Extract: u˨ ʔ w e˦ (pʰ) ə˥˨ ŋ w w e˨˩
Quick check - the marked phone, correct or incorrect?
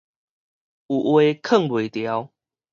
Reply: incorrect